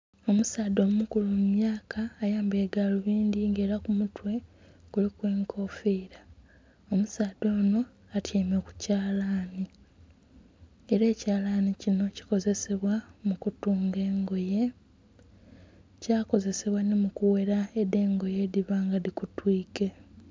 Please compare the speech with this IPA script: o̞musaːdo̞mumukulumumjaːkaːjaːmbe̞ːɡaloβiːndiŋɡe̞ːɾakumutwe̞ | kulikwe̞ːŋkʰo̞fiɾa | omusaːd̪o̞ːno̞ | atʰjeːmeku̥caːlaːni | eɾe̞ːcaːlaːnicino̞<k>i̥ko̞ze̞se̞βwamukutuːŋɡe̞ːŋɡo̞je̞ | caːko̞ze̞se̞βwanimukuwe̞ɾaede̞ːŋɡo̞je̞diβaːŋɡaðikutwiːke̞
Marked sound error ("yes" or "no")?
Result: yes